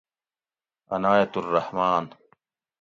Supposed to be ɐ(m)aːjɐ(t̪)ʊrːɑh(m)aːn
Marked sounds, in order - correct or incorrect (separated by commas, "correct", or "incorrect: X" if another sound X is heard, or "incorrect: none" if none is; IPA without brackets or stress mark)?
incorrect: n, correct, correct